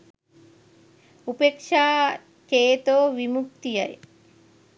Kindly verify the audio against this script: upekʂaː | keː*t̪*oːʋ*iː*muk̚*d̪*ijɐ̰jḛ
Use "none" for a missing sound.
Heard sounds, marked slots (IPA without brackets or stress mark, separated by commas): t̪, i, t̪